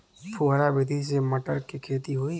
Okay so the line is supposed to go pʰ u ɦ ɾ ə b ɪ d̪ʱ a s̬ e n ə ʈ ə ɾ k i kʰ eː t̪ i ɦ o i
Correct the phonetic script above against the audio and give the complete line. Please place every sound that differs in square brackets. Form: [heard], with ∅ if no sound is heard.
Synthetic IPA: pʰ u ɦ ɾ [a] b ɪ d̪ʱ [i] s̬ e [m] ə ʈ ə ɾ k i kʰ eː t̪ i ɦ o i